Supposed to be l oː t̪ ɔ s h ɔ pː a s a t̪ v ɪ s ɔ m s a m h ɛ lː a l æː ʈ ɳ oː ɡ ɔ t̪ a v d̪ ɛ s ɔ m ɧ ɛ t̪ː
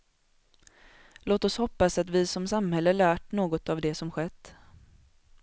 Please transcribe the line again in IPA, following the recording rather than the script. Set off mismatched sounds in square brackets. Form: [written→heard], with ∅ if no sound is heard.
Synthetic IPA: l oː t̪ ɔ s h ɔ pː a s a t̪ v ɪ s ɔ m s a m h ɛ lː [a→ə] l æː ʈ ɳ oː ɡ ɔ t̪ a v d̪ ɛ s ɔ m ɧ ɛ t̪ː